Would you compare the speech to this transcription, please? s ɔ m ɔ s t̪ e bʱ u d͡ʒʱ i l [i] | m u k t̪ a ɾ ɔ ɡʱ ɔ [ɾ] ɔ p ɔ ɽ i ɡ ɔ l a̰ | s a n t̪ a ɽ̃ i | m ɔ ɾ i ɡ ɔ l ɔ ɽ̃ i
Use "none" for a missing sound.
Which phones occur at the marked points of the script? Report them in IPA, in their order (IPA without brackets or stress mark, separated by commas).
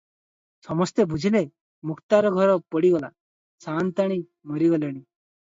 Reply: e, ɾ